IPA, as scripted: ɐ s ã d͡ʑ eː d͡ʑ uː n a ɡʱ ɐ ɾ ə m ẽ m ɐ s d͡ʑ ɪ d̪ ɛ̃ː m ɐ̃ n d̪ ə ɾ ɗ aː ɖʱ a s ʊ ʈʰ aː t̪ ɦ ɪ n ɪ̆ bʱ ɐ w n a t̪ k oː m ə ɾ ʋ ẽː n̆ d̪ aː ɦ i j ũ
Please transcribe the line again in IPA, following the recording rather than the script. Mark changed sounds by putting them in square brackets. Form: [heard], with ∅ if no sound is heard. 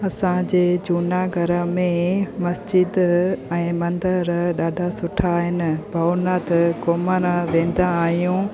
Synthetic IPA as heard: ɐ s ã d͡ʑ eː d͡ʑ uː n a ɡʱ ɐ ɾ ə m ẽ m ɐ s d͡ʑ ɪ d̪ ɛ̃ː m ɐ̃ n d̪ ə ɾ ɗ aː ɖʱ a s ʊ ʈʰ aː [∅] ɦ ɪ n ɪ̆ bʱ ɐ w n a t̪ k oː m ə ɾ ʋ ẽː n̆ d̪ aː ɦ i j ũ

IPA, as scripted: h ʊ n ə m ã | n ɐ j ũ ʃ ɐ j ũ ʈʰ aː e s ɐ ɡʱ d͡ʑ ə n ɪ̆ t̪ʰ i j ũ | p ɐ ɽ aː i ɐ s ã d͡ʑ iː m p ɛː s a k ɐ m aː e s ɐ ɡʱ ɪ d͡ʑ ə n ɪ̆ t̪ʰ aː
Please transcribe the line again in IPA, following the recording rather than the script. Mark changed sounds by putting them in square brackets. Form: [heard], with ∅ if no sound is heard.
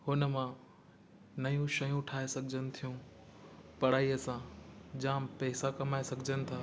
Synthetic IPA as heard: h ʊ n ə m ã | n ɐ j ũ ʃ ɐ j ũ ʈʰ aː e s ɐ ɡʱ d͡ʑ ə n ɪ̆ t̪ʰ i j ũ | p ɐ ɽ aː i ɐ s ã d͡ʑ [aː] m p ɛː s a k ɐ m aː e s ɐ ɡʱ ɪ d͡ʑ ə n ɪ̆ t̪ʰ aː

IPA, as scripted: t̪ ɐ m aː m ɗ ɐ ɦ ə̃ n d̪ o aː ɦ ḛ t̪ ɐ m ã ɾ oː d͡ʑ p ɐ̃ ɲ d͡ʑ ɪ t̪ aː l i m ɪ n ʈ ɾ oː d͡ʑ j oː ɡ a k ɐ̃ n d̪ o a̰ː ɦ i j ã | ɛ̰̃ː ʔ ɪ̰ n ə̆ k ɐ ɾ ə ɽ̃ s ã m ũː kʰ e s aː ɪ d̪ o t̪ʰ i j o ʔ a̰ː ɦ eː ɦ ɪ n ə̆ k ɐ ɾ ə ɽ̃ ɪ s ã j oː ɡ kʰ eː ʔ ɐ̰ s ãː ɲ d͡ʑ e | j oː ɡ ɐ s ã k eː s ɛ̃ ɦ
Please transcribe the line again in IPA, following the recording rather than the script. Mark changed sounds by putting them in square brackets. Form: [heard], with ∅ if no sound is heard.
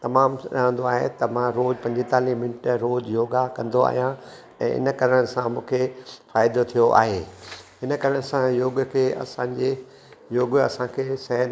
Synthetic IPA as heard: t̪ ɐ m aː m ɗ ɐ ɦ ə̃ n d̪ o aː ɦ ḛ t̪ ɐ m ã ɾ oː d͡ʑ p ɐ̃ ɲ d͡ʑ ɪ t̪ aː l i m ɪ n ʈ ɾ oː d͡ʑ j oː ɡ a k ɐ̃ n d̪ o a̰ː ɦ i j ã | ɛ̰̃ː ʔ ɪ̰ n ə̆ k ɐ ɾ ə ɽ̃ s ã m ũː kʰ e [f] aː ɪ d̪ o t̪ʰ i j o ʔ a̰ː ɦ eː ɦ ɪ n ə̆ k ɐ ɾ ə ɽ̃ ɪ s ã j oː ɡ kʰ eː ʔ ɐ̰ s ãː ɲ d͡ʑ e | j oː ɡ ɐ s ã [kʰ] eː s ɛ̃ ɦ

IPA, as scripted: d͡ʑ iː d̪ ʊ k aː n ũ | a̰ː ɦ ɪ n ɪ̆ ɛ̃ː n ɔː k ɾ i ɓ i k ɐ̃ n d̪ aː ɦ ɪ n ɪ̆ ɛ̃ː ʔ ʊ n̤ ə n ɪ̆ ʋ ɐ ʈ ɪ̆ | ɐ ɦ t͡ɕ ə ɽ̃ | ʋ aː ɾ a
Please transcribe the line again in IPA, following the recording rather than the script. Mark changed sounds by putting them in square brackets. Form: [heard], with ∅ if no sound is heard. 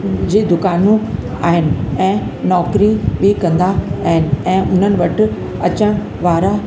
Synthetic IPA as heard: d͡ʑ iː d̪ ʊ k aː n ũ | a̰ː ɦ ɪ n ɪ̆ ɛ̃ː n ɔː k ɾ i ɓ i k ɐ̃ n d̪ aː ɦ ɪ n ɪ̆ ɛ̃ː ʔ ʊ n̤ ə n ɪ̆ ʋ ɐ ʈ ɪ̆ | ɐ [∅] t͡ɕ ə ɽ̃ | ʋ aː ɾ a

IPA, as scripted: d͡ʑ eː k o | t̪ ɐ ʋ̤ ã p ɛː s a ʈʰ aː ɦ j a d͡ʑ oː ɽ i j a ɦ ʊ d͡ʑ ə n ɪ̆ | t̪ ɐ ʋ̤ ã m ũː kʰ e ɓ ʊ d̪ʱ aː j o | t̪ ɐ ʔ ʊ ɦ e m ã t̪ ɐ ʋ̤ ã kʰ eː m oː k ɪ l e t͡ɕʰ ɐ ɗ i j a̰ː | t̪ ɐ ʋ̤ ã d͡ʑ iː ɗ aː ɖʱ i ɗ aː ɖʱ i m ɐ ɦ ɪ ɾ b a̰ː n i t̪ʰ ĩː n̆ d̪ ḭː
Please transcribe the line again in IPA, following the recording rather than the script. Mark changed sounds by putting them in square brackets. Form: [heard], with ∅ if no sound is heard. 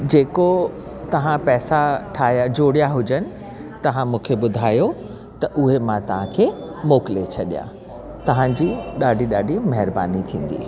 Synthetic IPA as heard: d͡ʑ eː k o | t̪ ɐ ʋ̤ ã p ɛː s a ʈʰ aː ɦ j a d͡ʑ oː ɽ i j a ɦ ʊ d͡ʑ ə n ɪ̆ | t̪ ɐ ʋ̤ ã m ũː kʰ e ɓ ʊ d̪ʱ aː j o | t̪ ɐ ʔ ʊ ɦ e m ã t̪ ɐ ʋ̤ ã kʰ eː m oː k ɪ l e t͡ɕʰ ɐ ɗ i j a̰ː | t̪ ɐ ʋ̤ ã d͡ʑ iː ɗ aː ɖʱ i ɗ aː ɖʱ i m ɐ ɦ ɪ ɾ b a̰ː n i t̪ʰ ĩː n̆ d̪ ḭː

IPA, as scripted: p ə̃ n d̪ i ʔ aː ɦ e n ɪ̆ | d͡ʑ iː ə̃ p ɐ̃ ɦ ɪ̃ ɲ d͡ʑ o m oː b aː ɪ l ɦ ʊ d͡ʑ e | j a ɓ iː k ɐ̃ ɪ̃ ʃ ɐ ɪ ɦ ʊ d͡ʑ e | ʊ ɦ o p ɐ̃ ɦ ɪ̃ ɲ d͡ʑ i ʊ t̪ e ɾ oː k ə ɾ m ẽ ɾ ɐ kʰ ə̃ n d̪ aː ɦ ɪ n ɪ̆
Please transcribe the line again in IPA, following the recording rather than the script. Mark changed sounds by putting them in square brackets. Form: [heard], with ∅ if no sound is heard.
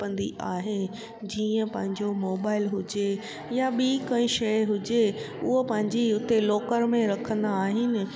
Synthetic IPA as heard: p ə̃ n d̪ i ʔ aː ɦ e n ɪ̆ | d͡ʑ iː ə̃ p ɐ̃ ɦ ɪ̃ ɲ d͡ʑ o m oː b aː ɪ l ɦ ʊ d͡ʑ e | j a ɓ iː k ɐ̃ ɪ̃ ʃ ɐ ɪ ɦ ʊ d͡ʑ e | ʊ ɦ o p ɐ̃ ɦ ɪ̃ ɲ d͡ʑ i ʊ t̪ e [l] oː k ə ɾ m ẽ ɾ ɐ kʰ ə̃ n d̪ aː ɦ ɪ n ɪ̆

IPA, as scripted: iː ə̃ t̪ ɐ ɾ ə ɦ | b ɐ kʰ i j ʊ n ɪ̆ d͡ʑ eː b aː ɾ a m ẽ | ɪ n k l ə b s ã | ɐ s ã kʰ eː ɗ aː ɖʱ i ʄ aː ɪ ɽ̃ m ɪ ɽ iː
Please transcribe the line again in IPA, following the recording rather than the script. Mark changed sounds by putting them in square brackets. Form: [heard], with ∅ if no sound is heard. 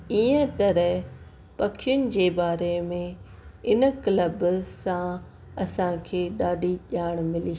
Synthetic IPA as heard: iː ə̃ t̪ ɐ ɾ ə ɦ | [p] ɐ kʰ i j ʊ n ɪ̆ d͡ʑ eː b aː ɾ [e] m ẽ | ɪ n k l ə b s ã | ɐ s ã kʰ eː ɗ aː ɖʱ i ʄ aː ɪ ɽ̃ m ɪ [l] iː

